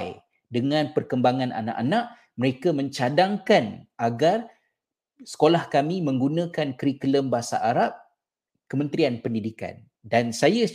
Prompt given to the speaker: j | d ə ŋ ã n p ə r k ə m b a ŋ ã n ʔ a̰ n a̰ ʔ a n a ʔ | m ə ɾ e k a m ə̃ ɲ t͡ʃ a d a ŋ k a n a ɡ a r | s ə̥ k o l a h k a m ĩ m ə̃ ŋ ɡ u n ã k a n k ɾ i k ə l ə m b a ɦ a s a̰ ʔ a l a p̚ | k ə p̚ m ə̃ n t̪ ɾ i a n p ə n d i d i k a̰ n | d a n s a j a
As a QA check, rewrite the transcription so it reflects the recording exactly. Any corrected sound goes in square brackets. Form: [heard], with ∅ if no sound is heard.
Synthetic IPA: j | d ə ŋ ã n p ə r k ə m b a ŋ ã n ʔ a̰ n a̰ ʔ a n a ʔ | m ə ɾ e k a m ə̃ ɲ t͡ʃ a d a ŋ k a n a ɡ a r | s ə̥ k o l a h k a m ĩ m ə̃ ŋ ɡ u n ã k a n k ɾ i k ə l ə m b a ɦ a s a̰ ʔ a [ɾ] a p̚ | k ə [∅] m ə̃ n t̪ ɾ i a n p ə n d i d i k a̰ n | d a n s a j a